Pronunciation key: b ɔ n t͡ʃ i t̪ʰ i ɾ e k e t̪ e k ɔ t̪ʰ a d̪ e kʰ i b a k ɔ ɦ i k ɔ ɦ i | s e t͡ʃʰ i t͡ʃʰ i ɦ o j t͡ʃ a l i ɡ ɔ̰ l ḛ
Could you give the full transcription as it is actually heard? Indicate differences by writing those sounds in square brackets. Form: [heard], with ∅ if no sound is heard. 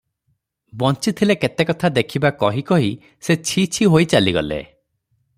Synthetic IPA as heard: b ɔ n t͡ʃ i t̪ʰ i [l] e k e t̪ e k ɔ t̪ʰ a d̪ e kʰ i b a k ɔ ɦ i k ɔ ɦ i | s e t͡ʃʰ i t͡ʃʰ i ɦ o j t͡ʃ a l i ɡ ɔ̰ l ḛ